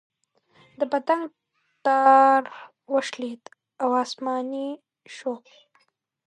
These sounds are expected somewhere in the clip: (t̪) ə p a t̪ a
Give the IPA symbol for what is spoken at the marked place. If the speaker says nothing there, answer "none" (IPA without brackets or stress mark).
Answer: d̪